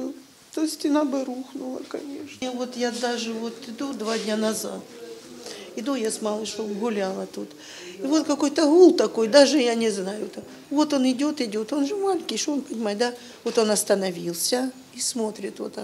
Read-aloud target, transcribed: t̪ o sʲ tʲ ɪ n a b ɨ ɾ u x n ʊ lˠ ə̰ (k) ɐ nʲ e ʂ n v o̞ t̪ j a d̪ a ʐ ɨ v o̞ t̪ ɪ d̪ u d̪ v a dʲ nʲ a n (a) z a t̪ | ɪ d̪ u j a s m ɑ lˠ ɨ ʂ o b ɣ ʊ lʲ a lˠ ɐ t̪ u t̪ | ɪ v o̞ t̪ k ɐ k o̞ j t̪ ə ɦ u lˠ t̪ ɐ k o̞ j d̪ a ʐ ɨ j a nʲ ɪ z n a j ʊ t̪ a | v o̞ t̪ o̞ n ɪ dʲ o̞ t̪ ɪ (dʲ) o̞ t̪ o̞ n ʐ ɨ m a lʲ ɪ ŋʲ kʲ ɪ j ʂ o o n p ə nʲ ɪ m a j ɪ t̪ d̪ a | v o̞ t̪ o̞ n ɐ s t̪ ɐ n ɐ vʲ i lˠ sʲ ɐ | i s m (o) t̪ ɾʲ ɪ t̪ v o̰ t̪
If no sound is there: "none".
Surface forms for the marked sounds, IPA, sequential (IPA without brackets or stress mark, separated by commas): k, ɐ, dʲ, o